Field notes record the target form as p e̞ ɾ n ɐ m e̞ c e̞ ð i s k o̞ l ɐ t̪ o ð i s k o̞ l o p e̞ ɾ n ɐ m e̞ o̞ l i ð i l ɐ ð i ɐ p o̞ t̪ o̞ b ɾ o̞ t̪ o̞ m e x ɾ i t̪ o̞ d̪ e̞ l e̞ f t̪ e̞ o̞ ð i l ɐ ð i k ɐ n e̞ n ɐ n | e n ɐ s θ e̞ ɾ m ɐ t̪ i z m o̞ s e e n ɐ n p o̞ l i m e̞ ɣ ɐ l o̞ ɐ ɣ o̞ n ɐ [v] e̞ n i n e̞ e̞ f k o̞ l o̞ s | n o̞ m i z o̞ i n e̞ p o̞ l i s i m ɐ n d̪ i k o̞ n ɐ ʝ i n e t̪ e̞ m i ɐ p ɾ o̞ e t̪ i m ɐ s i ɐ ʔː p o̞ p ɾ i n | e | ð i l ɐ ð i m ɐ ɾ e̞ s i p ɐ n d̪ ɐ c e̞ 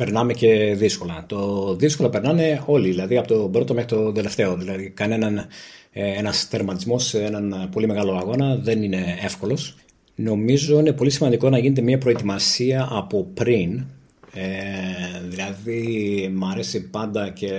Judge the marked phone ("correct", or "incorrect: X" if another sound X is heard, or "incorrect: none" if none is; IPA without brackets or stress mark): incorrect: ð